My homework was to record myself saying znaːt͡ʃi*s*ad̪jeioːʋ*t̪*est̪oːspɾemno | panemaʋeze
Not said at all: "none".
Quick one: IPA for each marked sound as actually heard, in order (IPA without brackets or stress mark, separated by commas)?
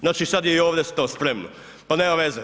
s, d̪